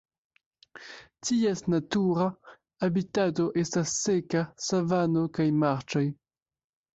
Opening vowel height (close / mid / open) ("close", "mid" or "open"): close